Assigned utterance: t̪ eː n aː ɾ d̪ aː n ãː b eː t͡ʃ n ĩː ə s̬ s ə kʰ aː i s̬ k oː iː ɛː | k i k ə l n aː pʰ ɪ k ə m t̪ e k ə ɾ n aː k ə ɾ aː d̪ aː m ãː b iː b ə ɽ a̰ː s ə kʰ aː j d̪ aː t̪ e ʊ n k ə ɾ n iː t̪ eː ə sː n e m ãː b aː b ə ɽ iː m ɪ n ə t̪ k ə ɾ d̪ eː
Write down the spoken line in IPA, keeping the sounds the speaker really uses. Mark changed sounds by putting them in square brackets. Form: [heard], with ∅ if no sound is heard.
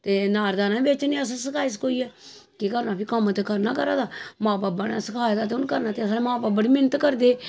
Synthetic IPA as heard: t̪ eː n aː ɾ d̪ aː n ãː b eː t͡ʃ n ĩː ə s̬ s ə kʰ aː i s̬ k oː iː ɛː | k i k ə [ɾ] n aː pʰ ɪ k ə m t̪ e k ə ɾ n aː k ə ɾ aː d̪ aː m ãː b [aː] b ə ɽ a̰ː s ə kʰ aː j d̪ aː t̪ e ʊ n k ə ɾ n [aː] t̪ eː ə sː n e m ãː b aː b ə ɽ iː m ɪ n ə t̪ k ə ɾ d̪ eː

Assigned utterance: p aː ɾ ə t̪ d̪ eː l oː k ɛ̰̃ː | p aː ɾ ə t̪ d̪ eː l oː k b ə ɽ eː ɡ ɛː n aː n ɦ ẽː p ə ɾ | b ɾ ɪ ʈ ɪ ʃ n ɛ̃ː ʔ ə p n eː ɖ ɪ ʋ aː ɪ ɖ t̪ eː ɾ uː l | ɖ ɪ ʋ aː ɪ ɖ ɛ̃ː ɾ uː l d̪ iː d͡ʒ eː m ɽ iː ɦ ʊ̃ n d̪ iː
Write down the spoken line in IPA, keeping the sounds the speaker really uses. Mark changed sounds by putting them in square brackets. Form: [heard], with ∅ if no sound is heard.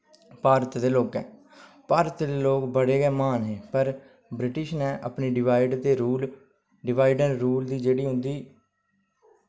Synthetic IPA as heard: p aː ɾ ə t̪ d̪ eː l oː k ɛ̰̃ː | p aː ɾ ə t̪ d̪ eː l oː k b ə ɽ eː ɡ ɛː [m] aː n ɦ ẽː p ə ɾ | b ɾ ɪ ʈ ɪ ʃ n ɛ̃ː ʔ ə p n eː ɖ ɪ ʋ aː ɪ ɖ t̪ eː ɾ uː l | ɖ ɪ ʋ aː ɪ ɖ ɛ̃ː ɾ uː l d̪ iː d͡ʒ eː [∅] ɽ iː ɦ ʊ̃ n d̪ iː

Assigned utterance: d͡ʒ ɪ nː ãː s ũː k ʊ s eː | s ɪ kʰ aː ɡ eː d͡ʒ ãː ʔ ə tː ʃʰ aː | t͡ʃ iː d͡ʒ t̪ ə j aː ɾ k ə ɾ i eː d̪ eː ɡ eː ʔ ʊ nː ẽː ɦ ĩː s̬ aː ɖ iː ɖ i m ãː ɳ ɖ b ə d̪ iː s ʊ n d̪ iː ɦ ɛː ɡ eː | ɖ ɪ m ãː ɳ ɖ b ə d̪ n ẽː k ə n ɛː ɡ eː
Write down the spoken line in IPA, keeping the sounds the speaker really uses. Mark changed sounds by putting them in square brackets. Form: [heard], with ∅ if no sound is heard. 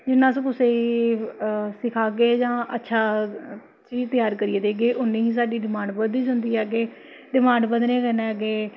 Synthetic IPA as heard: d͡ʒ ɪ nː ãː s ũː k ʊ s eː | s ɪ kʰ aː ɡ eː d͡ʒ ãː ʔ ə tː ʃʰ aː | t͡ʃ iː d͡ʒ t̪ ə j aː ɾ k ə ɾ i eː d̪ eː ɡ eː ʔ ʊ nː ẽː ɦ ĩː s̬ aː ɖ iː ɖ [ɪ] m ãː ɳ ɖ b ə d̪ iː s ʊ n d̪ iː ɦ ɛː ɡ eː | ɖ ɪ m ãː ɳ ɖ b ə d̪ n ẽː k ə n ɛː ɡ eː

